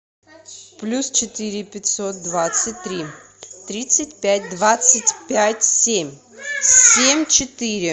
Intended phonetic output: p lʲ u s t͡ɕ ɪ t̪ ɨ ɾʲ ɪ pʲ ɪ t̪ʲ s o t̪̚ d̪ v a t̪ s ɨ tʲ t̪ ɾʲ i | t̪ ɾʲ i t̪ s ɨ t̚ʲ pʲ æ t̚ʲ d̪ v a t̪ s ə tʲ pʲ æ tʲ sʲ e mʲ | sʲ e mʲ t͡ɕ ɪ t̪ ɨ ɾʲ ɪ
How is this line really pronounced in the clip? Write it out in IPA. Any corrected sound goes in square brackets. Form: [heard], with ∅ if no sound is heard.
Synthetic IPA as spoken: p lʲ u s t͡ɕ ɪ t̪ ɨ ɾʲ ɪ pʲ ɪ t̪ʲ s o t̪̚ d̪ v a t̪ s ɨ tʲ t̪ ɾʲ i | t̪ ɾʲ i t̪ s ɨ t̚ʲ pʲ æ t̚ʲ d̪ v a t̪ s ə tʲ pʲ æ tʲ sʲ e mʲ | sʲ e mʲ t͡ɕ ɪ t̪ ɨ ɾʲ ɪ